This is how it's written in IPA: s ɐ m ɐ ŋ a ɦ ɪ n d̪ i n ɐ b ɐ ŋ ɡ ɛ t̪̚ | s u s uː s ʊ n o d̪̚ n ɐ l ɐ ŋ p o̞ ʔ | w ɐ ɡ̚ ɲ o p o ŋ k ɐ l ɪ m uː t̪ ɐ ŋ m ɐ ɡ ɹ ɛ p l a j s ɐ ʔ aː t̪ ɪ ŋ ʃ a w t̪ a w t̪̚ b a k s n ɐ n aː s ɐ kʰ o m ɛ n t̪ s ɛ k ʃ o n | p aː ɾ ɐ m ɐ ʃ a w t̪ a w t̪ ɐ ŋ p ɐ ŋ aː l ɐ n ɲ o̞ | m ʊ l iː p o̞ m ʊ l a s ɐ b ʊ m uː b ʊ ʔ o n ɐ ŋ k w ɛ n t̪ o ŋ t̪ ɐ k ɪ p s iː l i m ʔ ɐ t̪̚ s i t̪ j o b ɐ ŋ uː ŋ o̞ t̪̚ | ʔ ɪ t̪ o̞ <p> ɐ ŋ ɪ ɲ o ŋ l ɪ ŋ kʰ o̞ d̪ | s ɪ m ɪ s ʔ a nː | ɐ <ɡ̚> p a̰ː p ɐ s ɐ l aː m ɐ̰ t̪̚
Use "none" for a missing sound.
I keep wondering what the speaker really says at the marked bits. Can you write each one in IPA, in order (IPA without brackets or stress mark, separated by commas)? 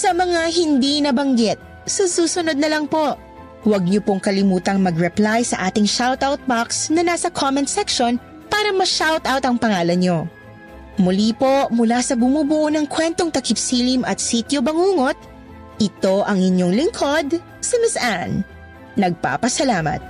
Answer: ʔ, ɡ̚